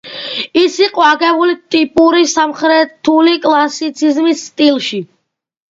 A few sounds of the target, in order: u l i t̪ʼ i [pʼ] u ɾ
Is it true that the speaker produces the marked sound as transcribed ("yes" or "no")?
yes